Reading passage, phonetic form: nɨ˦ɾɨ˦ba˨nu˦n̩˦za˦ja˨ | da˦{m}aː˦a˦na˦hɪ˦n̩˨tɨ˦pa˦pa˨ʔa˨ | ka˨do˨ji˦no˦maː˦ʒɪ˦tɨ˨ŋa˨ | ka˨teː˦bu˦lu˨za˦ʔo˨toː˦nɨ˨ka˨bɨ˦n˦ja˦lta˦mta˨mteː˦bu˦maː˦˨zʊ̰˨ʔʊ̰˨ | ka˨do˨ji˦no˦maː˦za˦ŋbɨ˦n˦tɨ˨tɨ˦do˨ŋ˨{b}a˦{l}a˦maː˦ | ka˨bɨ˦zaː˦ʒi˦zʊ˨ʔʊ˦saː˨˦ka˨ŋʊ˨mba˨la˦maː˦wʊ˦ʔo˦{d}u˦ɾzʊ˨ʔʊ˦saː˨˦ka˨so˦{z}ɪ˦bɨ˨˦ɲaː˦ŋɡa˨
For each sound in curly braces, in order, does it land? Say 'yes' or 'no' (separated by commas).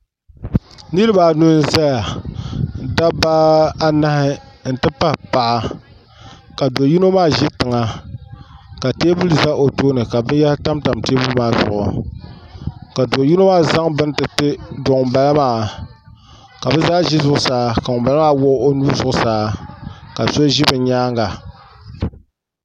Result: no, yes, yes, no, no